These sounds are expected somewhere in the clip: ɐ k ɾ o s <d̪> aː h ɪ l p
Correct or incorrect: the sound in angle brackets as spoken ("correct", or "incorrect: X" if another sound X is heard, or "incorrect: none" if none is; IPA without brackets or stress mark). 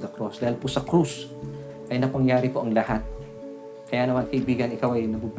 correct